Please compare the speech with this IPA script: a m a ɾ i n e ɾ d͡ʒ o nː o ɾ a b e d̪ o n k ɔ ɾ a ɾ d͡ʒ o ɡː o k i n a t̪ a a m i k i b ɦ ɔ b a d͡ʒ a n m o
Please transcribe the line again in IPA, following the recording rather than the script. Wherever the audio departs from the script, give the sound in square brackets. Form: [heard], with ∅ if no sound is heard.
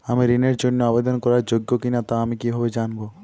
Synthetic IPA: a m [i] ɾ i n e ɾ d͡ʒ o nː o [∅] a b e d̪ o n k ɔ ɾ a ɾ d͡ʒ o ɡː o k i n a t̪ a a m i k i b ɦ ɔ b [e] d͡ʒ a n [b] o